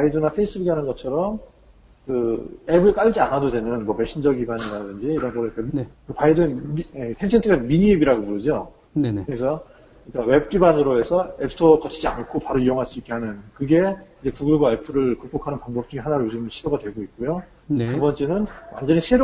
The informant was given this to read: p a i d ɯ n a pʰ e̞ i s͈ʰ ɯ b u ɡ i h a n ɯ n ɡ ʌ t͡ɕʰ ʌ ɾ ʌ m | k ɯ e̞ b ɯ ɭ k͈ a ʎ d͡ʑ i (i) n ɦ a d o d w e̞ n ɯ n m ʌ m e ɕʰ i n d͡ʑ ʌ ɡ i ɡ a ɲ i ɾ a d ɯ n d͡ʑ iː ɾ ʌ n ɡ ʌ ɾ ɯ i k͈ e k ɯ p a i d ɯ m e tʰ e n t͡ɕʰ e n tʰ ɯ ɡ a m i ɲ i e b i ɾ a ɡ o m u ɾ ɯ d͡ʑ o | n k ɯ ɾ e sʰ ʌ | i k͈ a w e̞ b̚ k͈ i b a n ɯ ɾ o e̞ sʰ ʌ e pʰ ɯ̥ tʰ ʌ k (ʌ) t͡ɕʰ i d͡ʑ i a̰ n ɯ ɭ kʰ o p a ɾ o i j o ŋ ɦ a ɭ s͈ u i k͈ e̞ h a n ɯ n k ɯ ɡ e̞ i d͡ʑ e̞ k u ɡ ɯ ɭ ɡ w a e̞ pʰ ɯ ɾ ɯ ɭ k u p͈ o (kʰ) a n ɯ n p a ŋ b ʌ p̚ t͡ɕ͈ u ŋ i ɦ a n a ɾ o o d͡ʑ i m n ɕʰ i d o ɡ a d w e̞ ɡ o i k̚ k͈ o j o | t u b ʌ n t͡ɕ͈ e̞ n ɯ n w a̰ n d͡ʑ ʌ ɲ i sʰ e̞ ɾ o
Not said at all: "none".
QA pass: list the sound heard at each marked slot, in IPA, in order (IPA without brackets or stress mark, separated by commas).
a, ʌ, kʰ